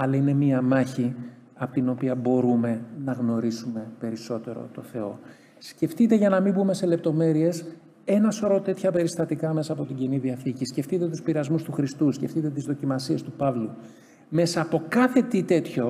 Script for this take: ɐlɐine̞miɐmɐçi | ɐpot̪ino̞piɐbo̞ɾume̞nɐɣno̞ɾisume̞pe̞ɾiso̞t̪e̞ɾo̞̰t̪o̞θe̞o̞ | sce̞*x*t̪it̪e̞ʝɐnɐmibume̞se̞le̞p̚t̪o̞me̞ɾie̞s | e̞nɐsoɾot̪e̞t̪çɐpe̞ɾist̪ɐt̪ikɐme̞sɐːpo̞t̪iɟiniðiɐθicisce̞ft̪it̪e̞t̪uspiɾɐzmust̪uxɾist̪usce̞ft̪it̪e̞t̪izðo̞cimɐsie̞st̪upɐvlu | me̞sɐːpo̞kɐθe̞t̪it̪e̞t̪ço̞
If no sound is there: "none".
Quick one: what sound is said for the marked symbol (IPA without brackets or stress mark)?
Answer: f